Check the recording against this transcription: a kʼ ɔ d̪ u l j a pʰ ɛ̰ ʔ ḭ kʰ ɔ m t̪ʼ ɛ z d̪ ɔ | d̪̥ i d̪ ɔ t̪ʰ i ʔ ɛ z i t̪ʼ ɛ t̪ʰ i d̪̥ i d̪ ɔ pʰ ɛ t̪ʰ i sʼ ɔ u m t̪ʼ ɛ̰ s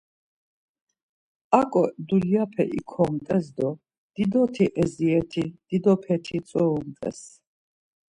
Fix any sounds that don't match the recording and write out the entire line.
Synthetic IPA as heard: a kʼ ɔ d̪ u l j a pʰ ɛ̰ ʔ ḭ kʰ ɔ m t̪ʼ ɛ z d̪ ɔ | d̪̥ i d̪ ɔ t̪ʰ i ʔ ɛ z i ɛ t̪ʰ i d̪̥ i d̪ ɔ pʰ ɛ t̪ʰ i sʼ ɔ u m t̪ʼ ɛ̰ s